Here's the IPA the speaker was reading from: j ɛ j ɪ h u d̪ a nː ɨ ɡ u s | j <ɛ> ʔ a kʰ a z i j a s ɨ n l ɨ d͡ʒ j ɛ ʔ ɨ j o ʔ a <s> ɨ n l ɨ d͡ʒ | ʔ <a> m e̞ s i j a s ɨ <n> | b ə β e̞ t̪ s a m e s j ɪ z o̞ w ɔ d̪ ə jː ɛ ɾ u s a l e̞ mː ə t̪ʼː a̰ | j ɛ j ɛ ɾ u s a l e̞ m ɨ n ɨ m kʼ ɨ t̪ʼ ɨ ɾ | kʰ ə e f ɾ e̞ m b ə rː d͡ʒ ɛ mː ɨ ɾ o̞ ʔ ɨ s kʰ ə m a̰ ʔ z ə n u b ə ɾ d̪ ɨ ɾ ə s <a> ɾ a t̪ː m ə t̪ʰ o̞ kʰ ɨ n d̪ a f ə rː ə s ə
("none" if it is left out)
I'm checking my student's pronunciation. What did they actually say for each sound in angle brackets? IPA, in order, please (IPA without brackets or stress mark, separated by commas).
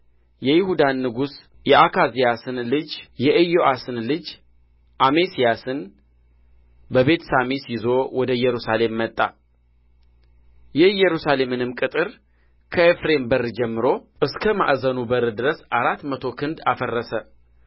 ɛ, s, a, n, a